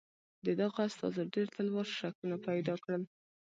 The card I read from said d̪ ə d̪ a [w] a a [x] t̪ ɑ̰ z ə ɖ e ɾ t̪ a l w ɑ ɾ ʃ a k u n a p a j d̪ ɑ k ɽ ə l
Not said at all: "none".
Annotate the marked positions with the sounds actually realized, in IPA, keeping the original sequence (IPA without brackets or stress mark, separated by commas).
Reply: ɣ, s